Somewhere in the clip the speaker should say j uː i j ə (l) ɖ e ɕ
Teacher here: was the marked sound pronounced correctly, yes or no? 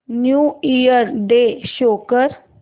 no